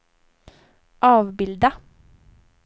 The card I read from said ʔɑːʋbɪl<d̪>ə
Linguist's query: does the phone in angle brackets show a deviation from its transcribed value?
no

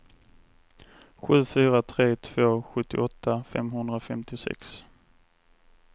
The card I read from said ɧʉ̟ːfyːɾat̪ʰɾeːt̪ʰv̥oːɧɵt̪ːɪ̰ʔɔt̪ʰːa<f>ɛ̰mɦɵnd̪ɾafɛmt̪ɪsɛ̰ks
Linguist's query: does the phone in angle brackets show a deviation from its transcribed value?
no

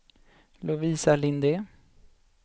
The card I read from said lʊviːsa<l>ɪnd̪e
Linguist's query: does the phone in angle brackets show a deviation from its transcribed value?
no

